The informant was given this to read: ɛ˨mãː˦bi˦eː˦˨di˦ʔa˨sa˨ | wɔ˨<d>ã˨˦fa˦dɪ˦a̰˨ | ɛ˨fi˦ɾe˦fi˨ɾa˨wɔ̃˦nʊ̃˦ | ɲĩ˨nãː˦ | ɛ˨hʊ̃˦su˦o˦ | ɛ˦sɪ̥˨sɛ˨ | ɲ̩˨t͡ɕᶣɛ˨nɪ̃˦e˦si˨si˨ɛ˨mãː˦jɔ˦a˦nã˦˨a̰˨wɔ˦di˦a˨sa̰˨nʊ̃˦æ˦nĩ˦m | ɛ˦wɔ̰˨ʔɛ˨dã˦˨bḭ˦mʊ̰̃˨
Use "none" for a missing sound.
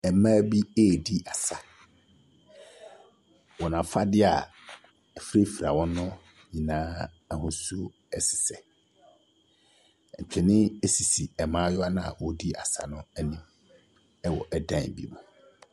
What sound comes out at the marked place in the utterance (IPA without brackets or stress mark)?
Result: n